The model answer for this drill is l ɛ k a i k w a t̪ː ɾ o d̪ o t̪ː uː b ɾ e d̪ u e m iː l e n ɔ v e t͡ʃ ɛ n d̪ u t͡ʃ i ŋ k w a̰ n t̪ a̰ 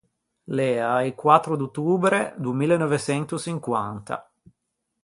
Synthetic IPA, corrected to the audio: l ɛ a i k w a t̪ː ɾ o d̪ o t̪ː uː b ɾ e d̪ u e m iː l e n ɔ v e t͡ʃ ɛ n t̪ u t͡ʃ i ŋ k w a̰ n t̪ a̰